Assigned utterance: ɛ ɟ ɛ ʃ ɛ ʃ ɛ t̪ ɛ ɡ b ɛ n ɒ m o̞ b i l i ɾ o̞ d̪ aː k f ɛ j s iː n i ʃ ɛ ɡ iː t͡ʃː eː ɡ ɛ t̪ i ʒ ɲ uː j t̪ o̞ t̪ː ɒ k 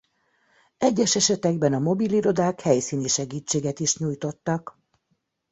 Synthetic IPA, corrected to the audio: ɛ ɟː ɛ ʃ ɛ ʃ ɛ t̪ ɛ ɡ b ɛ n ɒ m o̞ b i l i ɾ o̞ d̪ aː k h ɛ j s iː n i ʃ ɛ ɡ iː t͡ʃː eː ɡ ɛ t̪ i ʃ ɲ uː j t̪ o̞ t̪ː ɒ k